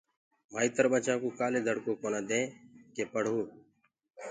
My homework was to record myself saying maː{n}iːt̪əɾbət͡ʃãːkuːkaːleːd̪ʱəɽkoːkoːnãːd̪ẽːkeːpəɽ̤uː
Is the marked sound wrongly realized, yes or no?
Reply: yes